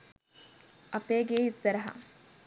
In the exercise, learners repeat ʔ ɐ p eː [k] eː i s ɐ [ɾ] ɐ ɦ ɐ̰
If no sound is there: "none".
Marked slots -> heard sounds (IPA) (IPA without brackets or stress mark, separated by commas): ɡ, ɾ